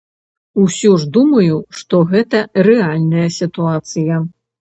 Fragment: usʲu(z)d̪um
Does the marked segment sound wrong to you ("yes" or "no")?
yes